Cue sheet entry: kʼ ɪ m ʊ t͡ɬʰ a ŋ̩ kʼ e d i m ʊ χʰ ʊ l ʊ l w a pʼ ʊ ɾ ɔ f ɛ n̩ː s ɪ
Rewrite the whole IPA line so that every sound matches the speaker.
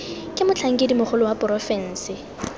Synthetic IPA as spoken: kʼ ɪ m ʊ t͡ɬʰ a ŋ̩ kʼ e d i m ʊ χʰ ʊ l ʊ w a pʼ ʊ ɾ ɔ f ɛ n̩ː s ɪ